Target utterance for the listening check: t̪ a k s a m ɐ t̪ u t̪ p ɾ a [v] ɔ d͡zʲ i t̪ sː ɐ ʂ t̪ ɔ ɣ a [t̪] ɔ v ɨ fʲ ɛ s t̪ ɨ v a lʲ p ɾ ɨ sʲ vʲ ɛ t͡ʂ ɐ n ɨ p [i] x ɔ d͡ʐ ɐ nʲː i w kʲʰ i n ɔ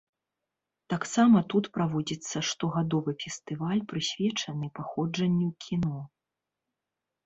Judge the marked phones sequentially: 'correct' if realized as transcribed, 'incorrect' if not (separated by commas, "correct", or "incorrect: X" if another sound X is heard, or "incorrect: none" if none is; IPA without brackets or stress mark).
correct, incorrect: d̪, incorrect: a